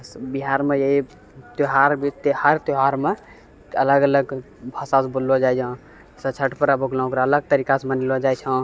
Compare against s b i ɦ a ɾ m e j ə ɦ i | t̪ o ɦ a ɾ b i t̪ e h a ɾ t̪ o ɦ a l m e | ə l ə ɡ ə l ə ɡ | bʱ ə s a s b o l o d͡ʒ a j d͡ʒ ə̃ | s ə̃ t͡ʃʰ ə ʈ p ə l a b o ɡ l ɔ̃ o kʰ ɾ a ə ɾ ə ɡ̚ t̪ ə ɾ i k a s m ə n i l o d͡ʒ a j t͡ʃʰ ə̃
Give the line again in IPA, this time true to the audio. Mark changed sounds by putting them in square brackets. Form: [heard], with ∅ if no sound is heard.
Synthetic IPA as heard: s b i ɦ a ɾ m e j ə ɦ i | t̪ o ɦ a ɾ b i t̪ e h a ɾ t̪ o ɦ a [ɾ] m e | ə l ə ɡ ə l ə ɡ | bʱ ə s a s b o l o d͡ʒ a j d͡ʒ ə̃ | s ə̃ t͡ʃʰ ə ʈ p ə [ɾ] a b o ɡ l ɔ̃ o [k] ɾ a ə [l] ə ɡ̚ t̪ ə ɾ i k a s m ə n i l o d͡ʒ a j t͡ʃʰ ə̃